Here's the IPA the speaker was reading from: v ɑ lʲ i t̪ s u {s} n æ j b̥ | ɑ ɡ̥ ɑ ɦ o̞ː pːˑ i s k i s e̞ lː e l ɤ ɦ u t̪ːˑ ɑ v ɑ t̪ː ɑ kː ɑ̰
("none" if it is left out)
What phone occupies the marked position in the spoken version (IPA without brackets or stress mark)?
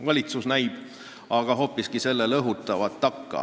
s